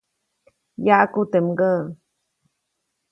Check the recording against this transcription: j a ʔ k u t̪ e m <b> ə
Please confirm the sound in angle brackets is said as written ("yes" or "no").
no